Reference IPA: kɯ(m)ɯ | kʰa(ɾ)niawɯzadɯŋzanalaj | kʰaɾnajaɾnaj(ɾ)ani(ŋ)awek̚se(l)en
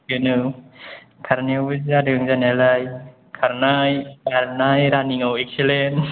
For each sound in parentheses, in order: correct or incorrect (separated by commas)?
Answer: incorrect, correct, correct, correct, correct